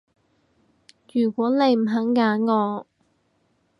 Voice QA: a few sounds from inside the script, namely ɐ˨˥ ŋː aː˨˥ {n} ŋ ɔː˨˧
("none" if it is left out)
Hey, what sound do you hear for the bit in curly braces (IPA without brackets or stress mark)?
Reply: n